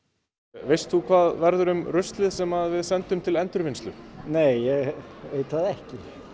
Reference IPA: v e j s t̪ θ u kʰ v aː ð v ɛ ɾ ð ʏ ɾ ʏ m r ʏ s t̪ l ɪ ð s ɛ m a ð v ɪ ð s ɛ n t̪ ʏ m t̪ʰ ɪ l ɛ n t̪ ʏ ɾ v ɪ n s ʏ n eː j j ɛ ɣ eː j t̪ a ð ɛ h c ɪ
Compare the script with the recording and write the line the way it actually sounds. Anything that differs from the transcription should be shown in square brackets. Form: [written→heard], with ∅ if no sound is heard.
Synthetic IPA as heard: v e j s t̪ θ u kʰ v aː ð v ɛ ɾ ð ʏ ɾ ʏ m r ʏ s t̪ l ɪ ð s ɛ m a ð v ɪ ð s ɛ n t̪ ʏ m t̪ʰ ɪ l ɛ n t̪ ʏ ɾ v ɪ n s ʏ n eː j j ɛ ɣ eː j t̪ a ð ɛ h c ɪ